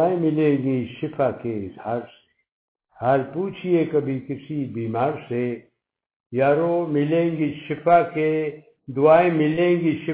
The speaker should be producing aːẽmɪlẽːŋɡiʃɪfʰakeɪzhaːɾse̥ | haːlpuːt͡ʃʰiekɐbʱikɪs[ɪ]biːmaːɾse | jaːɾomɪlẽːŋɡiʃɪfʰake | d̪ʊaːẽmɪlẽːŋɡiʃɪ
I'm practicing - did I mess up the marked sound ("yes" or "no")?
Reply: yes